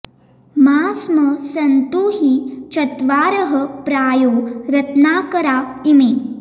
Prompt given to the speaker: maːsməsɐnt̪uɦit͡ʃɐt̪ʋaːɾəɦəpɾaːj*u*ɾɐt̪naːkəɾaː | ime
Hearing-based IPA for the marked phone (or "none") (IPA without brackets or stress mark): o